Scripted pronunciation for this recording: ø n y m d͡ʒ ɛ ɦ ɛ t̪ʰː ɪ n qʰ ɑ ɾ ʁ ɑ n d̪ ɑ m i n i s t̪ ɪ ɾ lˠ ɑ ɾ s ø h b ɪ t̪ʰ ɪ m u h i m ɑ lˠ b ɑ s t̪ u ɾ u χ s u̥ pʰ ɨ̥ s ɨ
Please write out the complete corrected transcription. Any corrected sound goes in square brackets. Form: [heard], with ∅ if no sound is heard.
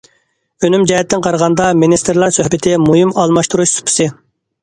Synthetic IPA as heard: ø n y m d͡ʒ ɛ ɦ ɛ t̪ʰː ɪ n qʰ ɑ ɾ ʁ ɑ n d̪ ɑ m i n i s t̪ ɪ ɾ lˠ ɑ ɾ s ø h b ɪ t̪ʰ ɪ m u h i m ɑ lˠ [m] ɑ [ʃ] t̪ u ɾ u [ʃ] s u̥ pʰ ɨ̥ s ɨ